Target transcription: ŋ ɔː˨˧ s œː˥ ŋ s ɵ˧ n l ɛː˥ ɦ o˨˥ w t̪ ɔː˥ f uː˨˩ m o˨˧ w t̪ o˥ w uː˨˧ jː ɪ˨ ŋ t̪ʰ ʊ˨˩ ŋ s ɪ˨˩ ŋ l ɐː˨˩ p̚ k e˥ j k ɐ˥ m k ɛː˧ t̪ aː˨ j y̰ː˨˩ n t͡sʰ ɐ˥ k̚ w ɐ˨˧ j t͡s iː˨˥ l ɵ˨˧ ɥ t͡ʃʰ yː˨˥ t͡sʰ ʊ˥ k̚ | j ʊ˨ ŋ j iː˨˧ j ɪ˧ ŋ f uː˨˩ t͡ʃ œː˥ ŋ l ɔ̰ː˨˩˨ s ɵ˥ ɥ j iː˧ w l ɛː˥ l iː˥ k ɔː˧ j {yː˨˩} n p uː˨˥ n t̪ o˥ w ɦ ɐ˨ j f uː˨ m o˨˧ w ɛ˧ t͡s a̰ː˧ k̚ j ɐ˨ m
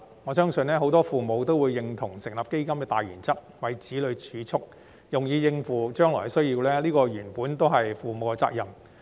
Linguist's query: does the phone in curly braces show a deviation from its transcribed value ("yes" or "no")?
no